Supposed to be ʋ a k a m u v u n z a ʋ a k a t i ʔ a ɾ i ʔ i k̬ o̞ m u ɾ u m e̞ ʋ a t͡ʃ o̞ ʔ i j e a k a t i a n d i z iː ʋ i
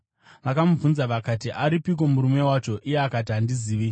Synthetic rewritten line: ʋ a k a m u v u n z a ʋ a k a t i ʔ a ɾ i p i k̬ o̞ m u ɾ u m e̞ w a t͡ʃ o̞ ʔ i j e a k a t i a n d i z iː ʋ i